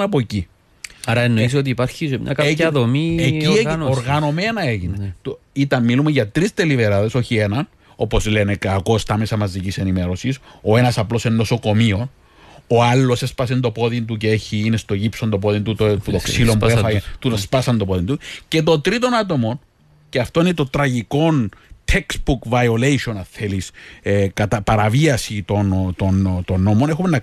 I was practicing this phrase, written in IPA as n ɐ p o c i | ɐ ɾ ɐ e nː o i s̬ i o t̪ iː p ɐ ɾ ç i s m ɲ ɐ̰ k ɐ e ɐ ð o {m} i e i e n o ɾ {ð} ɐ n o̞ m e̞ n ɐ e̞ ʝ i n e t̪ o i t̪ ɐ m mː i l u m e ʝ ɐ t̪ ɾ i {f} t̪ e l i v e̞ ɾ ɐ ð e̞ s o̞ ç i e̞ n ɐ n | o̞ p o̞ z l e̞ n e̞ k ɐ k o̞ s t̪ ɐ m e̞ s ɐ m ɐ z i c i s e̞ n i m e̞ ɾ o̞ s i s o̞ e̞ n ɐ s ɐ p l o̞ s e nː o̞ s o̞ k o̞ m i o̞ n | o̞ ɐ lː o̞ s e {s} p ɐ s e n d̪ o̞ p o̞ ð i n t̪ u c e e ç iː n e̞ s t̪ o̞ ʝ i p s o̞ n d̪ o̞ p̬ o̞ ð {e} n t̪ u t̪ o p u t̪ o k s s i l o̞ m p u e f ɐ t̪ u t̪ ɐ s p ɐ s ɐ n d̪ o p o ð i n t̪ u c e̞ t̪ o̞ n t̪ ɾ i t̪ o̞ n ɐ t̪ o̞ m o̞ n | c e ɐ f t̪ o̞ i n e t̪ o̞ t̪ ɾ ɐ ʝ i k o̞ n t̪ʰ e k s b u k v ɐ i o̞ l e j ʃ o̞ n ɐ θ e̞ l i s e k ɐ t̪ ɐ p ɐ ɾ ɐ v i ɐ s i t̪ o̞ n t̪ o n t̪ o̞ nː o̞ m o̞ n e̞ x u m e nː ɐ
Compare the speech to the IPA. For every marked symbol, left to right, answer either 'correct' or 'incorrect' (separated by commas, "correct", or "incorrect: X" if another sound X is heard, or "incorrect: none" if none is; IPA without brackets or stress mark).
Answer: correct, incorrect: ɣ, incorrect: s, correct, incorrect: i